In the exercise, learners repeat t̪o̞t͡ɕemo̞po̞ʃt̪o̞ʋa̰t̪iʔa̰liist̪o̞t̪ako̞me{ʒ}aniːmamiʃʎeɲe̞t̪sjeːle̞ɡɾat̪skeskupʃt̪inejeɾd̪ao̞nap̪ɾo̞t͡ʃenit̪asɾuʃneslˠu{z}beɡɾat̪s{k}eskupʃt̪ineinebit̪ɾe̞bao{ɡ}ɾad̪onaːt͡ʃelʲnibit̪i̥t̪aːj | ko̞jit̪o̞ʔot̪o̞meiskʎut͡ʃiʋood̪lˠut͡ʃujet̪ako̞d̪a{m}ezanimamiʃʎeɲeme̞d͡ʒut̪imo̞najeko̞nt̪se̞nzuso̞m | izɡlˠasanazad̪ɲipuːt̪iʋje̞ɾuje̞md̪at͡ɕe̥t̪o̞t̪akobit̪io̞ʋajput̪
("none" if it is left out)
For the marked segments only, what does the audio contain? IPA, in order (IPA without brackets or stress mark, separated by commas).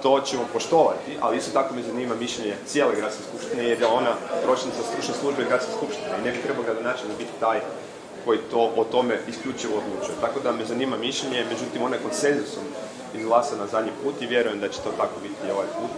z, ʒ, k, ɡ, m